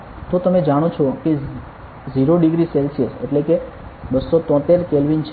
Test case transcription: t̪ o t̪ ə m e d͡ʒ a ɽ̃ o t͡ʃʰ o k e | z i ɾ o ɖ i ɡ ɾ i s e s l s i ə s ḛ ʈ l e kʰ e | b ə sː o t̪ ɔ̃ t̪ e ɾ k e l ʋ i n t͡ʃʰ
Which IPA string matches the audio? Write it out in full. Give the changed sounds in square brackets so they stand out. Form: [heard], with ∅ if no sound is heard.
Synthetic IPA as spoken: t̪ o t̪ ə m e d͡ʒ a ɽ̃ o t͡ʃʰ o k e | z i ɾ o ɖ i ɡ ɾ i s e [∅] l s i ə s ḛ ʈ l e [k] e | b ə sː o t̪ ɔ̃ t̪ e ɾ k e l ʋ i n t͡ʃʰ